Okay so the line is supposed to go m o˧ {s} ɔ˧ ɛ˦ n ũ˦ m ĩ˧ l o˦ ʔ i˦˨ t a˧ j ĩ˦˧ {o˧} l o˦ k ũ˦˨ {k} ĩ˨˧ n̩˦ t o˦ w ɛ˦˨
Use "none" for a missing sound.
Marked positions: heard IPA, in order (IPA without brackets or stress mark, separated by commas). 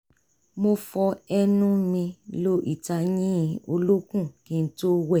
f, o˧, k